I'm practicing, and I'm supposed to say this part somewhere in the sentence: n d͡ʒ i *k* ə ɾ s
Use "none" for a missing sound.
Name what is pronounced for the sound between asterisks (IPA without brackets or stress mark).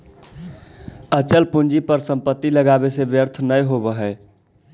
p